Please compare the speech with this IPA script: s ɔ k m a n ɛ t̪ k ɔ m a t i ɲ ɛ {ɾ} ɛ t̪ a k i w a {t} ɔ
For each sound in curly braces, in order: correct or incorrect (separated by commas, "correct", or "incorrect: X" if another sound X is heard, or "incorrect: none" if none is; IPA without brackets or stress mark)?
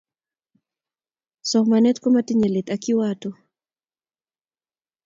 incorrect: l, correct